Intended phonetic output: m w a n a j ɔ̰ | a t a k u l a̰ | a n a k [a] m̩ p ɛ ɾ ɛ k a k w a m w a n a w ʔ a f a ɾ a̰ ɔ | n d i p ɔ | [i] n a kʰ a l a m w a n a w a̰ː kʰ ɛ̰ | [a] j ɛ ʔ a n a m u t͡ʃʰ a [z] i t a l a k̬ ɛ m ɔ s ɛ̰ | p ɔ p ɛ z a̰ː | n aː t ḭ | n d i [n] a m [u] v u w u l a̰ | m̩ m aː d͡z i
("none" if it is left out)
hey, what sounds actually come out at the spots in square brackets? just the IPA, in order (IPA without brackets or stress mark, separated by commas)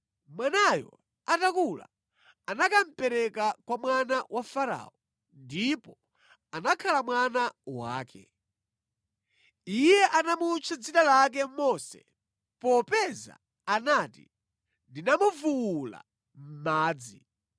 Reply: a, a, i, d͡z, n, u